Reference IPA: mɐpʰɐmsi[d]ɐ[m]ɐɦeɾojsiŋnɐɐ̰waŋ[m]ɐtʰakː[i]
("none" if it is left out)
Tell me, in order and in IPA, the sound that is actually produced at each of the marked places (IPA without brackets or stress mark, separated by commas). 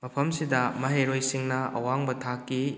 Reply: d, m, b, i